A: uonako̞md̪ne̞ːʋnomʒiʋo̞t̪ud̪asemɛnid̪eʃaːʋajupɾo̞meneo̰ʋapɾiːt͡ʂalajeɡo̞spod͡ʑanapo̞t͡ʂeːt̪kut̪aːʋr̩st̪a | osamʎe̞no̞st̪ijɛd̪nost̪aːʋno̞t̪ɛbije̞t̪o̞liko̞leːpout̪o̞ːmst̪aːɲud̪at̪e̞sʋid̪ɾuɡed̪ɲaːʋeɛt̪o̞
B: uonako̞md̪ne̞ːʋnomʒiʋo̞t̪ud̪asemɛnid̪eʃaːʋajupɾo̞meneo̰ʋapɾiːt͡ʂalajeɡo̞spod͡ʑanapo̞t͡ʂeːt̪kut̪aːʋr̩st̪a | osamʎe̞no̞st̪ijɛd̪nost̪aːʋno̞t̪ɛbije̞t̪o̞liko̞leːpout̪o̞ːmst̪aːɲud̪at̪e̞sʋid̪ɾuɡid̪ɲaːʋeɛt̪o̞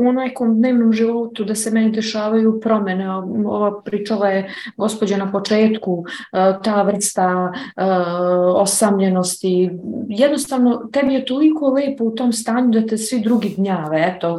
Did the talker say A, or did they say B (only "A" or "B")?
B